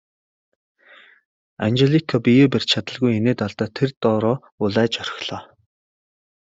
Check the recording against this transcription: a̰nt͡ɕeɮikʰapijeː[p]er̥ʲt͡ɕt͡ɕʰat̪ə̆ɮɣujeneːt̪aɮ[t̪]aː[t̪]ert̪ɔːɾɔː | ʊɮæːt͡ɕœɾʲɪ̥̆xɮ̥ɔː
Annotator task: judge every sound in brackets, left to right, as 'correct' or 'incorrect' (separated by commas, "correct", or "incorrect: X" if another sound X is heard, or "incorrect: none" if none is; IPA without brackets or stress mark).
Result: correct, correct, incorrect: t̪ʰ